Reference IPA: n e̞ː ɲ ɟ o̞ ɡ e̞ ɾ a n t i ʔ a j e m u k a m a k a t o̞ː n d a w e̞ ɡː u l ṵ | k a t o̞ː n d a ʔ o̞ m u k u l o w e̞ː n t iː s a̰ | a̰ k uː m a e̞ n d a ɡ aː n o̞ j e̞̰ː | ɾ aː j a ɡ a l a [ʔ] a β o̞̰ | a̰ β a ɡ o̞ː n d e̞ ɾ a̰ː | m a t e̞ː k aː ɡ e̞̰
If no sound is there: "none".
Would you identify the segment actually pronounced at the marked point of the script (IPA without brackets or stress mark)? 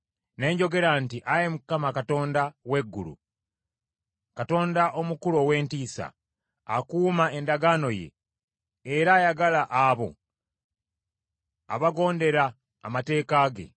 ʔ